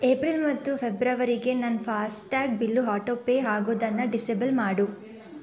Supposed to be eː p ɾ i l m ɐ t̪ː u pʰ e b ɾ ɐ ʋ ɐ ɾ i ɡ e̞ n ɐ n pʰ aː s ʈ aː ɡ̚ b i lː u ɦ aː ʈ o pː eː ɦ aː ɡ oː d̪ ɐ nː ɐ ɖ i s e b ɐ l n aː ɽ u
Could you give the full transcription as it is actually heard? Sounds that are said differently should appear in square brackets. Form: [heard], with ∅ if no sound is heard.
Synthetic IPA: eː p ɾ i l m ɐ t̪ː u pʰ e b ɾ ɐ ʋ ɐ ɾ i ɡ e̞ n ɐ n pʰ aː s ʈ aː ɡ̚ b i lː u ɦ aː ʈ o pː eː ɦ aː ɡ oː d̪ ɐ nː ɐ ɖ i s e b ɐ l [m] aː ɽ u